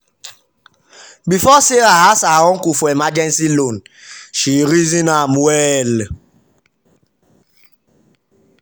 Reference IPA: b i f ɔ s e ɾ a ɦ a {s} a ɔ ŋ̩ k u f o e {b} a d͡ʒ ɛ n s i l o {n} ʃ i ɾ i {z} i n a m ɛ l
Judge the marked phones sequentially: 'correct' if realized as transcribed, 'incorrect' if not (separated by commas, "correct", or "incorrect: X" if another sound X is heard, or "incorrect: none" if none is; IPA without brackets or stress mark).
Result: correct, incorrect: m, correct, correct